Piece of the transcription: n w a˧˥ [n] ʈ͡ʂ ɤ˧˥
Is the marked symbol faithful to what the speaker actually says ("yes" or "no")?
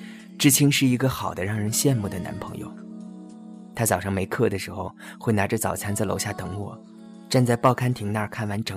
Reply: yes